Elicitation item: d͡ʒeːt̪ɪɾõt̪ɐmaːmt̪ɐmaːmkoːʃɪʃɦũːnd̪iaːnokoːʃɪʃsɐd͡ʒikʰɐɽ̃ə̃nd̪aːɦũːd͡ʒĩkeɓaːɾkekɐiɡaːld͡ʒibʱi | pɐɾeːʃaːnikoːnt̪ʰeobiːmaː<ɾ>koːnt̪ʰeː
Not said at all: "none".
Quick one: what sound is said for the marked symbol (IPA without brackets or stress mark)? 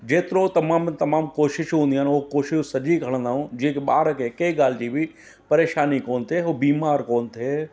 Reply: ɾ